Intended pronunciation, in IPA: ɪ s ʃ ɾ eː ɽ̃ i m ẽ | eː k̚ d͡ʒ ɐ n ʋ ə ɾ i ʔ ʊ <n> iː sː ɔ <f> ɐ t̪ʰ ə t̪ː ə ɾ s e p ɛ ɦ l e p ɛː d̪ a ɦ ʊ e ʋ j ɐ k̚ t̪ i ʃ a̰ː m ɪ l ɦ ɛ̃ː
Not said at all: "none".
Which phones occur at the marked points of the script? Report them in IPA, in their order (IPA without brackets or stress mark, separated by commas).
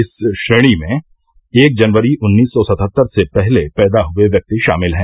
nː, s